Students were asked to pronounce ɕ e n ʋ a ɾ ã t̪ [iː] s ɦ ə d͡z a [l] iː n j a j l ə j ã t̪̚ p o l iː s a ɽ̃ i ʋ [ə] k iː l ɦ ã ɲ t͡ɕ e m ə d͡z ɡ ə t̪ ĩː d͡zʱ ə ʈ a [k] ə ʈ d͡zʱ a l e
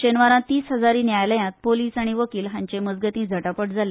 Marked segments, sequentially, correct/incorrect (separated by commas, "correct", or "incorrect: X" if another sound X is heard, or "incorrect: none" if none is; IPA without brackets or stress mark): correct, incorrect: ɾ, correct, incorrect: p